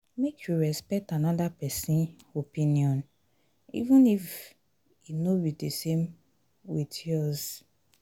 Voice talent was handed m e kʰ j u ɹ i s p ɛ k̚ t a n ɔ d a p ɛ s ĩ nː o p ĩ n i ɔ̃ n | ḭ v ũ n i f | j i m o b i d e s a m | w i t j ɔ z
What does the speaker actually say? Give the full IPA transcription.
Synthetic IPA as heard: m e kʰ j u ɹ ɛ s p ɛ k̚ t a n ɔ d a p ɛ s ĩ n o p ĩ n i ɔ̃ n | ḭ v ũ n i f | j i n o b i d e s e m | w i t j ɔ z